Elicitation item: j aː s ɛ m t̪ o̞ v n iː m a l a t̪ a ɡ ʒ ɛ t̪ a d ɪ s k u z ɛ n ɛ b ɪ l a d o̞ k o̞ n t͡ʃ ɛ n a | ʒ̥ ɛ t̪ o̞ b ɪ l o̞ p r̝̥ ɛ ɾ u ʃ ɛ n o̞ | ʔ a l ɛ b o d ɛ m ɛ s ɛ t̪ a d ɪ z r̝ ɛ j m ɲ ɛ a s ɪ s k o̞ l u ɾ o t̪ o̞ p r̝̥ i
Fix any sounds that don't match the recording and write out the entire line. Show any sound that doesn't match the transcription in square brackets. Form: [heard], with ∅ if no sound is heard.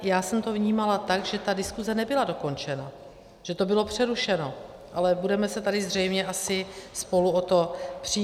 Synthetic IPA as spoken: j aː s ɛ m t̪ o̞ v [ɲ] iː m a l a t̪ a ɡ ʒ ɛ t̪ a d ɪ s k u z ɛ n ɛ b ɪ l a d o̞ k o̞ n t͡ʃ ɛ n a | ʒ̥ ɛ t̪ o̞ b ɪ l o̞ p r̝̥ ɛ ɾ u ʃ ɛ n o̞ | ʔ a l ɛ b [u] d ɛ m ɛ s ɛ t̪ a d ɪ z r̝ ɛ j m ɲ ɛ a s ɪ s [p] o̞ l u [∅] o t̪ o̞ p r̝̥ i